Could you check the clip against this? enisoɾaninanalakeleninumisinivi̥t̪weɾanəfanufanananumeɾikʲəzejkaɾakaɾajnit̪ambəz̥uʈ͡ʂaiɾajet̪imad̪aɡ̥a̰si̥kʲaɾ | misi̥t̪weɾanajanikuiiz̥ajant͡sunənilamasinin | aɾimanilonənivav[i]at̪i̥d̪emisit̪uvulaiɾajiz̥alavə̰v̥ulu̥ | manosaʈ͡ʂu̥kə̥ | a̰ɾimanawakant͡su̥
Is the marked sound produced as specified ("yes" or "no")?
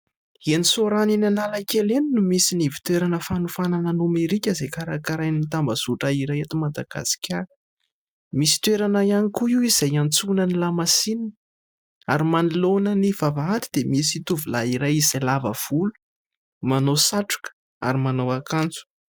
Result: no